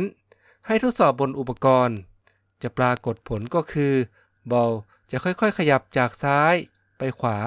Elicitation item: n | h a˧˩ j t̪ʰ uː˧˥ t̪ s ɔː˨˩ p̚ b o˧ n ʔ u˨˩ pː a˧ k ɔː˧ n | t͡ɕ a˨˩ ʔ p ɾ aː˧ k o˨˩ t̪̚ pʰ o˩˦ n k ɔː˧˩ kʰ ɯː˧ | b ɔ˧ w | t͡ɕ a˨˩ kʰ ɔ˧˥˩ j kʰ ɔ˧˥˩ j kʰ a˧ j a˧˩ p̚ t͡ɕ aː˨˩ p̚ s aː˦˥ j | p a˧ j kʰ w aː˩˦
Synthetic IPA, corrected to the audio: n | h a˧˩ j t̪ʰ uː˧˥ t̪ s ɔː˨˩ p̚ b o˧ n ʔ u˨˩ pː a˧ k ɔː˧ n | t͡ɕ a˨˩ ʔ p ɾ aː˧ k o˨˩ t̪̚ pʰ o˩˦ n k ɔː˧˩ kʰ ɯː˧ | b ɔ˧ w | t͡ɕ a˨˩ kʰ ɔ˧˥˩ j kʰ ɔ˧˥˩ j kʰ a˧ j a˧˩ p̚ t͡ɕ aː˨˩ k̚ s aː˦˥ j | p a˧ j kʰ w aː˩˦